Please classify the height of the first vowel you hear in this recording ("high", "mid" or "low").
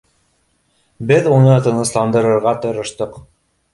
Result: mid